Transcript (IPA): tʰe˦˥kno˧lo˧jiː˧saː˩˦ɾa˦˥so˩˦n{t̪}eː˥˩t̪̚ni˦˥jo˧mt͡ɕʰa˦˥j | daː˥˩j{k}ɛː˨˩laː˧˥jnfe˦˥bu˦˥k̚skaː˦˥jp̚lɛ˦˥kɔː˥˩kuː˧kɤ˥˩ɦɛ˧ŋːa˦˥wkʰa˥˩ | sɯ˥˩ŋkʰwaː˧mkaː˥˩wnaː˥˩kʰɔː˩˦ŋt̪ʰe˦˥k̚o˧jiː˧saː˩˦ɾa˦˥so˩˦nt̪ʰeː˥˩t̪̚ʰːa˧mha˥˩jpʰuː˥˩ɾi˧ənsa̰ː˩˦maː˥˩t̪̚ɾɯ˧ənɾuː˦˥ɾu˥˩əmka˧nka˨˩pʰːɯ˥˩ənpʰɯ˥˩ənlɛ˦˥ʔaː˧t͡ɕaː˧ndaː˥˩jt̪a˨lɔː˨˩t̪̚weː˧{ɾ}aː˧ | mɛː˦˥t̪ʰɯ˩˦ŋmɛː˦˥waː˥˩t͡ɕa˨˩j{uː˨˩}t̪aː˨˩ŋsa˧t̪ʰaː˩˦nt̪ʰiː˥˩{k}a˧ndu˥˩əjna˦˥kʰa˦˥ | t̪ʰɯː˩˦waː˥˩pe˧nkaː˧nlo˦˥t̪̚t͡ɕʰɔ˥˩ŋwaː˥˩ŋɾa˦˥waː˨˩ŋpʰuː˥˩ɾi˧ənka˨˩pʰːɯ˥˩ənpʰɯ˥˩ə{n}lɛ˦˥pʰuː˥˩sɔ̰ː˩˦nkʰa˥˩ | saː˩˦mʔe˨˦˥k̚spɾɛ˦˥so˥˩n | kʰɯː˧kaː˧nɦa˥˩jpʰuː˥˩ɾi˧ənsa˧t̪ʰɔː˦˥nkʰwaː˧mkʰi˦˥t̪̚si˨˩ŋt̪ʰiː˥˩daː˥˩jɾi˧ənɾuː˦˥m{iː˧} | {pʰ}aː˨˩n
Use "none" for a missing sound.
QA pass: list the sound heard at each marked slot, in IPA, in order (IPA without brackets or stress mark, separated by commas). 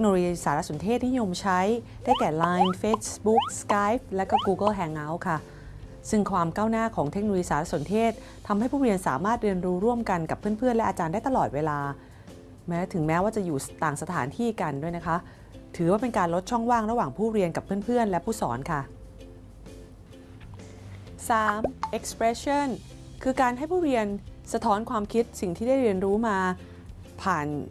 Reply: t̪ʰ, k, l, uː˨˩, k, n, aː˧, pʰ